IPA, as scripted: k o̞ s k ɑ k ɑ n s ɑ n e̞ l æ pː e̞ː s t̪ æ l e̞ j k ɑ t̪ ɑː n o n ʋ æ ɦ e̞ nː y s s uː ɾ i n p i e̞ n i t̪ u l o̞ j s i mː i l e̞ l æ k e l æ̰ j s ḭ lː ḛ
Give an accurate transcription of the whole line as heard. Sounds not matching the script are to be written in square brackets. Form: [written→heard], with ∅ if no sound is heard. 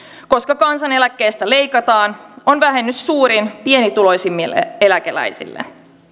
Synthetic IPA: k o̞ s k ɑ k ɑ n s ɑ n e̞ l æ [pː→kː] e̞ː s t̪ æ l e̞ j k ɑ t̪ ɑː n o n ʋ æ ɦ e̞ nː y s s uː ɾ i n p i e̞ n i t̪ u l o̞ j s i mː i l e̞ l æ k e l æ̰ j s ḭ lː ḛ